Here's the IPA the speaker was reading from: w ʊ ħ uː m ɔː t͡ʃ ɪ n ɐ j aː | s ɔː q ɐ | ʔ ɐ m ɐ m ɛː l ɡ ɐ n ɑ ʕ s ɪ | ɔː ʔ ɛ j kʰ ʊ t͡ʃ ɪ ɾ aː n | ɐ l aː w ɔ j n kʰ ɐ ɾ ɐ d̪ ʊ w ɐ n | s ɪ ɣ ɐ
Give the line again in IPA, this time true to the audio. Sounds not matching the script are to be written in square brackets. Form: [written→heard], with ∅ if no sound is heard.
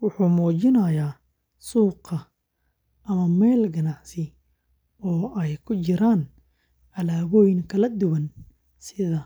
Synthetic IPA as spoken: w ʊ ħ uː m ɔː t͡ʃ ɪ n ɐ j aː | s [ɔː→uː] q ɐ | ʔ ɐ m ɐ m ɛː l ɡ ɐ n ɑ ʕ s ɪ | ɔː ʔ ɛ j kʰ ʊ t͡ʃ ɪ ɾ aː n | ɐ l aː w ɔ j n kʰ ɐ [ɾ→l] ɐ d̪ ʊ w ɐ n | s ɪ [ɣ→ð] ɐ